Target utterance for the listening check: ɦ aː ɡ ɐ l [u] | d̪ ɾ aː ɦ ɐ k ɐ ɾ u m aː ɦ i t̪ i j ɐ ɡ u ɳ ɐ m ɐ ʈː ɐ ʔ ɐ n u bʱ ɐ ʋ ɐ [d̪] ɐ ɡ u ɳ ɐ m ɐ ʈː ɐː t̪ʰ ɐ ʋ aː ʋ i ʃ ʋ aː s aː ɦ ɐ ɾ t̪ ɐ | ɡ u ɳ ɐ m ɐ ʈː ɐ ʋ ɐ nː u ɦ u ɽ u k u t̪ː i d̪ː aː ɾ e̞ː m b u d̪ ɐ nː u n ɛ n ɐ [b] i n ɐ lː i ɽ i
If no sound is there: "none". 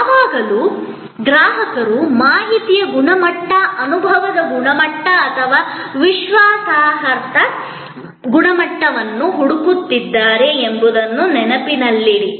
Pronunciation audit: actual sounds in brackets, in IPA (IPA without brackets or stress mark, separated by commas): u, d̪, p